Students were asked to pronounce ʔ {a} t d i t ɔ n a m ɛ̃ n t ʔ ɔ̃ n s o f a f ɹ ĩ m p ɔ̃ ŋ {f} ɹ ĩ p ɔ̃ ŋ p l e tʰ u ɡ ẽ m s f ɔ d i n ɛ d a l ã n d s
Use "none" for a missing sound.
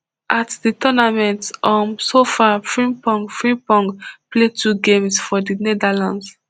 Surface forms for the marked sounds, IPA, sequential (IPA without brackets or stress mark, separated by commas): a, f